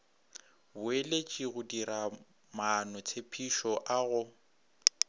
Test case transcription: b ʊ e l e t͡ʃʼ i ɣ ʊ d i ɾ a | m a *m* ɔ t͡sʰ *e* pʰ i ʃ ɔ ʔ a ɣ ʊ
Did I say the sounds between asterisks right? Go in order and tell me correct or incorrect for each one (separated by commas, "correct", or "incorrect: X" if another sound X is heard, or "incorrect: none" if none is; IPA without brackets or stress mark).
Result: incorrect: n, correct